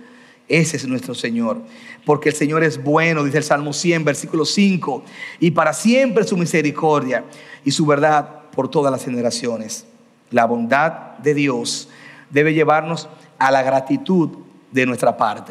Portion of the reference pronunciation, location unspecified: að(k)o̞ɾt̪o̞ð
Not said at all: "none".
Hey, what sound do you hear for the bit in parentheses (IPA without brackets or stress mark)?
p